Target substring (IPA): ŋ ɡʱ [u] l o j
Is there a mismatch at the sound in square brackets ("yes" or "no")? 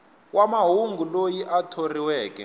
no